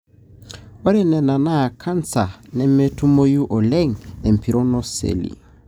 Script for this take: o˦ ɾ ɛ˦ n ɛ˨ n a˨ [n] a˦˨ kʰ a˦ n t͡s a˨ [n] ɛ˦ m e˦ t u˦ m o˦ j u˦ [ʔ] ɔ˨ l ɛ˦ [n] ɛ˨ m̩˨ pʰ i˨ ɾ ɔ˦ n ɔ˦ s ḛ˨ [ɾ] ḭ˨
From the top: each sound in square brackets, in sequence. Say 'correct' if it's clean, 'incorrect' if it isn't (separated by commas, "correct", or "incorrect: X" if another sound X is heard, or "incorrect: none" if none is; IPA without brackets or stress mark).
correct, correct, correct, incorrect: ŋ, incorrect: l